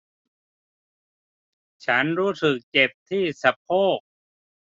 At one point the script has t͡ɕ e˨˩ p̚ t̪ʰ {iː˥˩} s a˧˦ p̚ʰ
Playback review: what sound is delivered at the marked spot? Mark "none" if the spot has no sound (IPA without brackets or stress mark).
iː˥˩